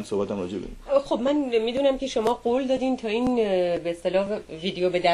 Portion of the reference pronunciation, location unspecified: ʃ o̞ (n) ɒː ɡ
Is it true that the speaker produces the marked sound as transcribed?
no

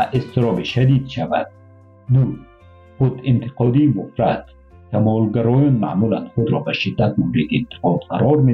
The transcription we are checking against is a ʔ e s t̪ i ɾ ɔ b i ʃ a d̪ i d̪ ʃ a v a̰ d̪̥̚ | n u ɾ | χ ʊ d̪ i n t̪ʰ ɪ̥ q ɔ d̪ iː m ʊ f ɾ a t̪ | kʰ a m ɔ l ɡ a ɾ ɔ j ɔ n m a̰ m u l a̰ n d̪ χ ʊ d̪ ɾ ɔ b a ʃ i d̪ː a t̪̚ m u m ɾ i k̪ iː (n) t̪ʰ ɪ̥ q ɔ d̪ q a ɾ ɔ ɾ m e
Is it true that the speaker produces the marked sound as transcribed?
yes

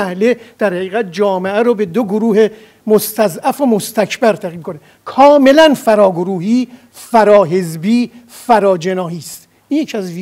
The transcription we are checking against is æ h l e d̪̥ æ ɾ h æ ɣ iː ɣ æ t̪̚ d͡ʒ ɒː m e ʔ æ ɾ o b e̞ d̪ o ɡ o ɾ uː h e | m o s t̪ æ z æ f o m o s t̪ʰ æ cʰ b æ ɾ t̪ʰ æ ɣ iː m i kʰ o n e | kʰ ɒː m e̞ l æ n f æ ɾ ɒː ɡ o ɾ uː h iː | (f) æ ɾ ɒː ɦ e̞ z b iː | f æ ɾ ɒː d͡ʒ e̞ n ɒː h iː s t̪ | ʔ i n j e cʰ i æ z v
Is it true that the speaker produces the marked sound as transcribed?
yes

